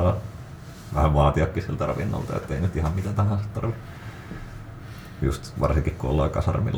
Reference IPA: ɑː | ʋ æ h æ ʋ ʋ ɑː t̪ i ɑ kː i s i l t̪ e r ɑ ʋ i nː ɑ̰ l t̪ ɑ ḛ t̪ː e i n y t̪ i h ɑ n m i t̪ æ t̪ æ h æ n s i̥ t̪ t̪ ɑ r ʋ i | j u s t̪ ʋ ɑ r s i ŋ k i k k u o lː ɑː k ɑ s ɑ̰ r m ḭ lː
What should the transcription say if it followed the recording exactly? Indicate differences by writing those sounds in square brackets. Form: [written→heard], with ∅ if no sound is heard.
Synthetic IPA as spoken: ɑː | ʋ æ h æ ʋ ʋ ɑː t̪ i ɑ kː i s i l t̪ [e→æ] r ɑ ʋ i nː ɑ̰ l t̪ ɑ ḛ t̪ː e i n y t̪ i h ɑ [n→m] m i t̪ æ t̪ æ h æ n s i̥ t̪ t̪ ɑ r ʋ i | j u s t̪ ʋ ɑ r s i ŋ k i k k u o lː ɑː k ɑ s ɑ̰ r m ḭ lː